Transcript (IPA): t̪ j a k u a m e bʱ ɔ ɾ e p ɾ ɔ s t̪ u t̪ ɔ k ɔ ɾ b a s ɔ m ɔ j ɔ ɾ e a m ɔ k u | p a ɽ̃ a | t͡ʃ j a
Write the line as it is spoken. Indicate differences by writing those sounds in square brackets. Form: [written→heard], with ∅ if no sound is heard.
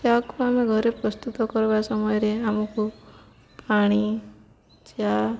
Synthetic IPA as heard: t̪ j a k u a m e [bʱ→ɡʱ] ɔ ɾ e p ɾ ɔ s t̪ u t̪ ɔ k ɔ ɾ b a s ɔ m ɔ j ɔ ɾ e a m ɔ k u | p a ɽ̃ [a→i] | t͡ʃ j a